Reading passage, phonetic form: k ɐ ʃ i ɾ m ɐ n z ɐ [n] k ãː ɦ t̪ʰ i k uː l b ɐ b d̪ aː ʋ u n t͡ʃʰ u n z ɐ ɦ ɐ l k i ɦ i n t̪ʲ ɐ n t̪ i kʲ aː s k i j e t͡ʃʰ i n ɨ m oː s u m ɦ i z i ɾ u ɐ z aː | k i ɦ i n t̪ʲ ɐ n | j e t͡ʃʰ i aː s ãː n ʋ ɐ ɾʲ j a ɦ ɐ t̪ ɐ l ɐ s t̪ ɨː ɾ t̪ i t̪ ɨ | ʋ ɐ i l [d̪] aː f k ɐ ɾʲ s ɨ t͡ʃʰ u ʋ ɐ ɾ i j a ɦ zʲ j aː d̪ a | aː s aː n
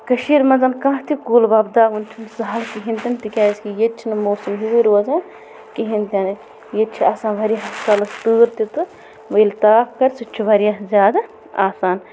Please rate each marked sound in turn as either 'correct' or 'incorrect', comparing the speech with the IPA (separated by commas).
correct, incorrect